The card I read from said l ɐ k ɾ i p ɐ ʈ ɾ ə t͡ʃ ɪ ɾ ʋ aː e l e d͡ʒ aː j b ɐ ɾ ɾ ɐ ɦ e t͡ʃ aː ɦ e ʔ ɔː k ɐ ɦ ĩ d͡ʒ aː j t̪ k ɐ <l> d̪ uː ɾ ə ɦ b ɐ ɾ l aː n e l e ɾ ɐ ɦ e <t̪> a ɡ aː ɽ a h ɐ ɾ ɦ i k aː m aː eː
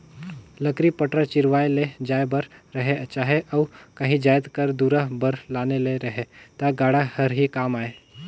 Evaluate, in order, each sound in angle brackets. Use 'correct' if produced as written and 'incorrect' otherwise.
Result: incorrect: ɾ, correct

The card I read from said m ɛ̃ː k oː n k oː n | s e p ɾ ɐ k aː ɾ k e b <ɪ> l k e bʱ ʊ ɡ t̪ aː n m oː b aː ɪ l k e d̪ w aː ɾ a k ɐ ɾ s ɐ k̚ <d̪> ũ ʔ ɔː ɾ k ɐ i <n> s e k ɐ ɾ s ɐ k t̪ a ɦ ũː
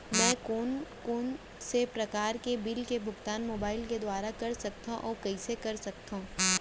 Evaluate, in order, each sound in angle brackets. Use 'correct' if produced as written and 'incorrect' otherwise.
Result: correct, incorrect: t̪, incorrect: none

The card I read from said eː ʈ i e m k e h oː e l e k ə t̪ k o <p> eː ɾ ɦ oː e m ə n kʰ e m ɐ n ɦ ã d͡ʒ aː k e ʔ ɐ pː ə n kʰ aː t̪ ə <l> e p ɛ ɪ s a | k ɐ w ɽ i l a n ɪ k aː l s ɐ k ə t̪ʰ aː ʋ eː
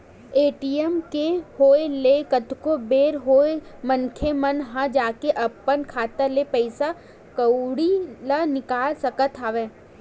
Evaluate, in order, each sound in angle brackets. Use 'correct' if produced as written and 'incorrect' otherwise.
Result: incorrect: b, correct

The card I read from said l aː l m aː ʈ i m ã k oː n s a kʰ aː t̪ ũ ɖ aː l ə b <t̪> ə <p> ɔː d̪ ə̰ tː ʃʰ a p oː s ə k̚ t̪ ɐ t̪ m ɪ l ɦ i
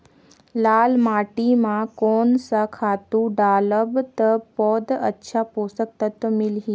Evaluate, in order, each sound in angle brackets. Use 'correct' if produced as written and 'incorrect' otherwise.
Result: correct, correct

